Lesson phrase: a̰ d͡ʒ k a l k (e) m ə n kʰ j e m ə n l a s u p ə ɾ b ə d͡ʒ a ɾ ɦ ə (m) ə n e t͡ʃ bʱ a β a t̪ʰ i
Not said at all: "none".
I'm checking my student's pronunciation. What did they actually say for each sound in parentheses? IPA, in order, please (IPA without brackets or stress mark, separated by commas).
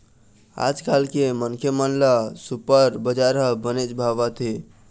e, b